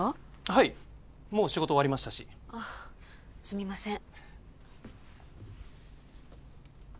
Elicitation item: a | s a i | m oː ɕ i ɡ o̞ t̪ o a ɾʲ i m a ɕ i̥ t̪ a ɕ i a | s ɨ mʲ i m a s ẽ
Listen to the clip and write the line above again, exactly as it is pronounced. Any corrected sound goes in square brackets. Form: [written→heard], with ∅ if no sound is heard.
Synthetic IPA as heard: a | [s→h] a i | m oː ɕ i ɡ o̞ t̪ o a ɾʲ i m a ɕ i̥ t̪ a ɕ i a | s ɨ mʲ i m a s ẽ